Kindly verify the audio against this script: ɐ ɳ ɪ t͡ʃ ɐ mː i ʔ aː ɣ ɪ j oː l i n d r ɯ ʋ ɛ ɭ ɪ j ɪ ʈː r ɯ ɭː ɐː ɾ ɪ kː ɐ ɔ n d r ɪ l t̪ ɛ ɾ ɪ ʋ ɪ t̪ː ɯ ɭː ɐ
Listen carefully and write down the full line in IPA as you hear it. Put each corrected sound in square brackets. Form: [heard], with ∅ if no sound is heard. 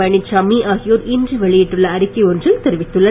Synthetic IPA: ɐ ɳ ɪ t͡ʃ ɐ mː i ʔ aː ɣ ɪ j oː [ɾ] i n d r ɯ ʋ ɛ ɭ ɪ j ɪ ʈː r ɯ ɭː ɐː ɾ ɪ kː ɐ ɔ n d r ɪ l t̪ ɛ ɾ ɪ ʋ ɪ t̪ː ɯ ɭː ɐ

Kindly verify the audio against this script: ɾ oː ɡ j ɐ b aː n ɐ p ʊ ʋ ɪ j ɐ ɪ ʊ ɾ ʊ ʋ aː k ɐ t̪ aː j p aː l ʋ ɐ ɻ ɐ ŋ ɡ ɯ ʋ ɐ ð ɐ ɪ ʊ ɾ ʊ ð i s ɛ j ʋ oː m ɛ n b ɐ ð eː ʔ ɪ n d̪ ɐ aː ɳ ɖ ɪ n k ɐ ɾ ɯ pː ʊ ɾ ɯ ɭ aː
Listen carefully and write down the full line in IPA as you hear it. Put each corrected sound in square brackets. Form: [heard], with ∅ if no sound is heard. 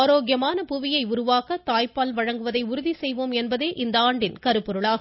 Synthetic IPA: ɾ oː ɡ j ɐ [m] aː n ɐ p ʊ ʋ ɪ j ɐ ɪ ʊ ɾ ʊ ʋ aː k ɐ t̪ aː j p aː l ʋ ɐ ɻ ɐ ŋ ɡ ɯ ʋ ɐ ð ɐ ɪ ʊ ɾ ʊ ð i s ɛ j ʋ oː m ɛ n b ɐ ð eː ʔ ɪ n d̪ ɐ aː ɳ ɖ ɪ n k ɐ ɾ ɯ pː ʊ ɾ ɯ ɭ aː

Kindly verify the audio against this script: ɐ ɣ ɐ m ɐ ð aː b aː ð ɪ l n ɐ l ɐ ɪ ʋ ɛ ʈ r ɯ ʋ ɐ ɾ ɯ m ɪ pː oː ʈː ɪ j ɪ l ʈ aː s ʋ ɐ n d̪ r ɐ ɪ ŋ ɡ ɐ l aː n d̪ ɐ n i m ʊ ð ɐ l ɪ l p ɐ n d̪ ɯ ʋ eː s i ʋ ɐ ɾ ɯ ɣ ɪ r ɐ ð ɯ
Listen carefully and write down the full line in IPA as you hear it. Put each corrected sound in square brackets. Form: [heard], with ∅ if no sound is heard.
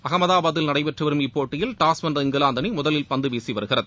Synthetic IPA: ɐ ɣ ɐ m ɐ ð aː b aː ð ɪ l n ɐ [ɽ] ɐ ɪ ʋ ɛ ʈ r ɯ ʋ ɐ ɾ ɯ m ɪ pː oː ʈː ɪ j ɪ l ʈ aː s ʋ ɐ n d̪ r ɐ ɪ ŋ ɡ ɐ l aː n d̪ ɐ n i m ʊ ð ɐ l ɪ l p ɐ n d̪ ɯ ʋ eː s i ʋ ɐ ɾ ɯ ɣ ɪ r ɐ ð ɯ

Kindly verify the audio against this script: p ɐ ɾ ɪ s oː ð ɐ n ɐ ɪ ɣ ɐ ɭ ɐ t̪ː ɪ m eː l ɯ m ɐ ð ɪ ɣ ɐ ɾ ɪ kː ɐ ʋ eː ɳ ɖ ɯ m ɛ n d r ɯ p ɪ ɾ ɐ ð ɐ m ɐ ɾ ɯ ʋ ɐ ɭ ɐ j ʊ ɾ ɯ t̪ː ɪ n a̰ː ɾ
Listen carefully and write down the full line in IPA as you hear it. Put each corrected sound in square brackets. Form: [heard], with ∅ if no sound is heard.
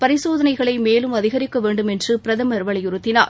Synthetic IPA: p ɐ ɾ ɪ s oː ð ɐ n ɐ ɪ ɣ ɐ ɭ ɐ [∅] ɪ m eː l ɯ m ɐ ð ɪ ɣ ɐ ɾ ɪ kː ɐ ʋ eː ɳ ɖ ɯ m ɛ n d r ɯ p ɪ ɾ ɐ ð ɐ m ɐ ɾ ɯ ʋ ɐ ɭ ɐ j ʊ ɾ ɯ t̪ː ɪ n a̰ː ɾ

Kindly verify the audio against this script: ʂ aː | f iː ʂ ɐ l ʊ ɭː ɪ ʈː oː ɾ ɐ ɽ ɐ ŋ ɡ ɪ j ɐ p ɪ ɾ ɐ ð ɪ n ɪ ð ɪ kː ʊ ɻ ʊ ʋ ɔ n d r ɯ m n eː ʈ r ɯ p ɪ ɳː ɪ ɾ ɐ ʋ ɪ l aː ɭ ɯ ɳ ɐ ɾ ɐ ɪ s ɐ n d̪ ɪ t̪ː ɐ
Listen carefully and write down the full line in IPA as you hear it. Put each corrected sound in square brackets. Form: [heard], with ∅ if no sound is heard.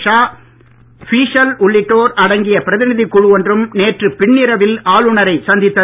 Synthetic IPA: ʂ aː | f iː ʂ ɐ l ʊ ɭː ɪ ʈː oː ɾ ɐ ɽ ɐ ŋ ɡ ɪ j ɐ p ɪ ɾ ɐ ð ɪ n ɪ ð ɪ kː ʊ ɻ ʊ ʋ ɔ n d r ɯ m n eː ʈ r ɯ p ɪ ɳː ɪ ɾ ɐ ʋ ɪ l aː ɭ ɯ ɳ ɐ ɾ ɐ ɪ s ɐ n d̪ ɪ t̪ː ɐ

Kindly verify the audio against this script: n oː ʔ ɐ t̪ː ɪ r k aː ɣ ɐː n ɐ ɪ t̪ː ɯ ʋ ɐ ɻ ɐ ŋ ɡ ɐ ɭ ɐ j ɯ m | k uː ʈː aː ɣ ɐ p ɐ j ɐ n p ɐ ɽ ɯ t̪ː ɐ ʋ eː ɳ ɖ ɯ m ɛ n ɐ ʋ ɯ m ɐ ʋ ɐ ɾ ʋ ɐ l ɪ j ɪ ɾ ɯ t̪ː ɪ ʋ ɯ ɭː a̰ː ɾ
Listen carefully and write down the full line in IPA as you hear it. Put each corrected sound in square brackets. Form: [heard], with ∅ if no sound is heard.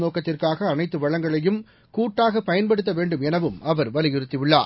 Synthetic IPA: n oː [k] ɐ t̪ː ɪ r k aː ɣ ɐː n ɐ ɪ t̪ː ɯ ʋ ɐ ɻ ɐ ŋ ɡ ɐ ɭ ɐ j ɯ m | k uː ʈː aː ɣ ɐ p ɐ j ɐ n p ɐ ɽ ɯ t̪ː ɐ ʋ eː ɳ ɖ ɯ m ɛ n ɐ ʋ ɯ m ɐ ʋ ɐ ɾ ʋ ɐ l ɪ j ɪ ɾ ɯ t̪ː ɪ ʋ ɯ ɭː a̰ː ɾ

